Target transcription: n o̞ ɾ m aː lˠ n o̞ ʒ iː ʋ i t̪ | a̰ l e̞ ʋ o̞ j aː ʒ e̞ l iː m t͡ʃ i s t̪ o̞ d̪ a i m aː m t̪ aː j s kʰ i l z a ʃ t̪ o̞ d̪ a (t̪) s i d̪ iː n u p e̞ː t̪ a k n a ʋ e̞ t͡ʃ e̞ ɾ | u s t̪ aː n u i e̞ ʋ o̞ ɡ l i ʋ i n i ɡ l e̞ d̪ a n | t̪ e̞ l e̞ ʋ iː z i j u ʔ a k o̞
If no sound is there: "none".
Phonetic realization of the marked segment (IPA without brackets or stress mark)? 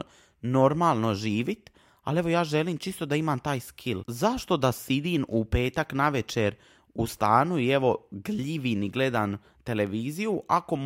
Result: none